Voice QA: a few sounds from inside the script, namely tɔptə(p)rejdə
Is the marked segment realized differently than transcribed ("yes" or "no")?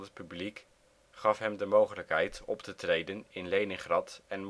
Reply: yes